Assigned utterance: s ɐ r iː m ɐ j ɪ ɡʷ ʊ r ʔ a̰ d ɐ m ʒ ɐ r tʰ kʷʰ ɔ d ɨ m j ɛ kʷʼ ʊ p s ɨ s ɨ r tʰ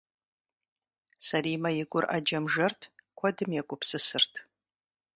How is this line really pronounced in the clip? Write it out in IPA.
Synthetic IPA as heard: s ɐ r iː m ɐ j ɪ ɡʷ ʊ r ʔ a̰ d͡ʒ ɐ m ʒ ɐ r tʰ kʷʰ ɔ d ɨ m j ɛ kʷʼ ʊ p s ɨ s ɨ r tʰ